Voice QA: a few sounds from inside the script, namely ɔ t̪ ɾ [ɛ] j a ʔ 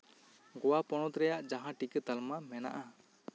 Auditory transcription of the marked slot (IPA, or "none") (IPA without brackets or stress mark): ɛ